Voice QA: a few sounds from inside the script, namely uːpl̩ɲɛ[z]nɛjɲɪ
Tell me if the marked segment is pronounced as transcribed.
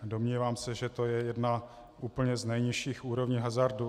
yes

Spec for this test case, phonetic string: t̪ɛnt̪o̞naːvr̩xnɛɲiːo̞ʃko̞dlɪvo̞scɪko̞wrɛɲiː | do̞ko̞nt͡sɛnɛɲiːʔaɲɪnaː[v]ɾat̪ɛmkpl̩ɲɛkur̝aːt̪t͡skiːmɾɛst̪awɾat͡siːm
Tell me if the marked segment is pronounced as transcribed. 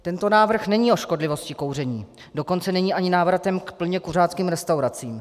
yes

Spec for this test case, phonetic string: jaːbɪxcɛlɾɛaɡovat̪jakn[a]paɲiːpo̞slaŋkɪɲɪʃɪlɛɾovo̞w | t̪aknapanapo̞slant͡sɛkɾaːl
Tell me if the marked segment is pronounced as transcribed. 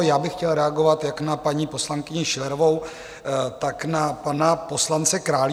yes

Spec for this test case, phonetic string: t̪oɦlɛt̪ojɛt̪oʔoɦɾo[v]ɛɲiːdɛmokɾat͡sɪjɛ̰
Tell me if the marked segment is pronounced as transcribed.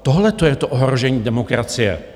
no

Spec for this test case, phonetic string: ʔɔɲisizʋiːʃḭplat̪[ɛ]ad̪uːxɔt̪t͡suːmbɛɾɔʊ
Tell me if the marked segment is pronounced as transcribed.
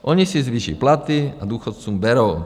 no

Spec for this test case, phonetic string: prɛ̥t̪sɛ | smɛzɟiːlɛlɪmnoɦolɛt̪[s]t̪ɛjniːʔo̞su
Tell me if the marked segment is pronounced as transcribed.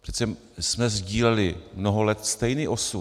yes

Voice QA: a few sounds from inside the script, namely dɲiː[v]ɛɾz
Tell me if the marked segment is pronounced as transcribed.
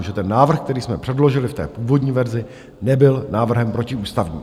yes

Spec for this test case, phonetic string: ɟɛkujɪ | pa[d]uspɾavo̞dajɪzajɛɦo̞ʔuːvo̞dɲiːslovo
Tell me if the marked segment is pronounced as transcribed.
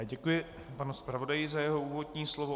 no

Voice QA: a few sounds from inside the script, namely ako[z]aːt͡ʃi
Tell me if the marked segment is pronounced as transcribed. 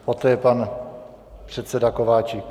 no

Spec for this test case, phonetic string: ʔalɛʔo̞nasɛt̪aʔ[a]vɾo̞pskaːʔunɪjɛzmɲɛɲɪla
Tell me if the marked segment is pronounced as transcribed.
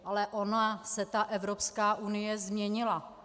no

